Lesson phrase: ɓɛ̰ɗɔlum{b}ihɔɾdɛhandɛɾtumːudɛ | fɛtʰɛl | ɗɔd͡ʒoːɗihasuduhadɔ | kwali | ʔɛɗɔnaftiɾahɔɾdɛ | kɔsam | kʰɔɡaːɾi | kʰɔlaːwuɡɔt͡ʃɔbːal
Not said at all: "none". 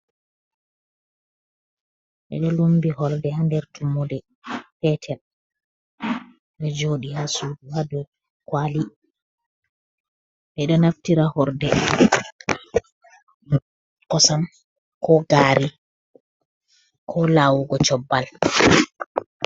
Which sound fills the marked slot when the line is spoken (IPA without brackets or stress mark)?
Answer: b